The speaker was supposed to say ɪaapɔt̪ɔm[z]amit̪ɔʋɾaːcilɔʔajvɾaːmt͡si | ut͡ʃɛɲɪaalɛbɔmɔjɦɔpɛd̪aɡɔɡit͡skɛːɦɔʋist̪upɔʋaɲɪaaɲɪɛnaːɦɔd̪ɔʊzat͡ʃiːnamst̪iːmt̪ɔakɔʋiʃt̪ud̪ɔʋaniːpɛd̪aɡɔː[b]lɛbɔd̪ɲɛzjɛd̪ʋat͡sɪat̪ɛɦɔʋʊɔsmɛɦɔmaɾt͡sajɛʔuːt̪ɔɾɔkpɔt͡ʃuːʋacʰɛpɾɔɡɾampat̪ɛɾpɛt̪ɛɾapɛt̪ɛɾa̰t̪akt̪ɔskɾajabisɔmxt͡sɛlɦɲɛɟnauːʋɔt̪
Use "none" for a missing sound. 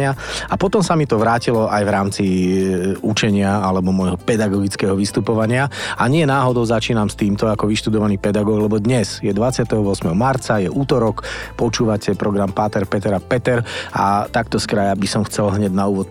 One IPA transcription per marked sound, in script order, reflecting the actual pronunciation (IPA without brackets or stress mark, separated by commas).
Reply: s, ɡ